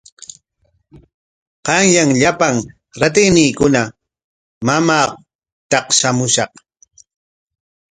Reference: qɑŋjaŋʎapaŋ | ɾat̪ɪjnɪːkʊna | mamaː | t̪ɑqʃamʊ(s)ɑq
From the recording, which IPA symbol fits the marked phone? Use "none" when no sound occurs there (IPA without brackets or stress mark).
ʃ